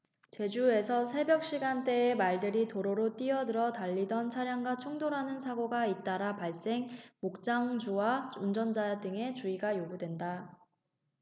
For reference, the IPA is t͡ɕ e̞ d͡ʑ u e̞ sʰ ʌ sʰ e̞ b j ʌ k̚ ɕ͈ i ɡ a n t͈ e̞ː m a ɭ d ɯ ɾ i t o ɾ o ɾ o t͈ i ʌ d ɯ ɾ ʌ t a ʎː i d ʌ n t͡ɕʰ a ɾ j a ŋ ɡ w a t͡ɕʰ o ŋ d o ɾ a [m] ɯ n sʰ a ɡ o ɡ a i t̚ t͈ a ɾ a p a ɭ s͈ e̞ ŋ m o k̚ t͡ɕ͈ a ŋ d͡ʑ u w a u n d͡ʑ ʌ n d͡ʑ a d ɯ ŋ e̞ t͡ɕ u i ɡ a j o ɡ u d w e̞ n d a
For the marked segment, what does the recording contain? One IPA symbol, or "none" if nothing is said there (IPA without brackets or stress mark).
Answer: n